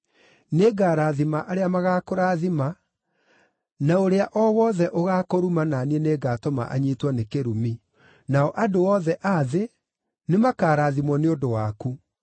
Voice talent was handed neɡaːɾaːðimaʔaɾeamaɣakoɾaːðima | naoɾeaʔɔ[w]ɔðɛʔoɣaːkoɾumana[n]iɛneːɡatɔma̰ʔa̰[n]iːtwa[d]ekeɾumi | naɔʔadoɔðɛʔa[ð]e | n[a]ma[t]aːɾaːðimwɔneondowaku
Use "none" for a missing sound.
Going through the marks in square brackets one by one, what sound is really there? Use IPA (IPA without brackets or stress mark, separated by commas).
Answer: w, n, ɲ, n, ð, e, k